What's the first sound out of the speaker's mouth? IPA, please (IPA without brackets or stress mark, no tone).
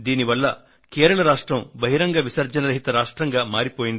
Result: d̪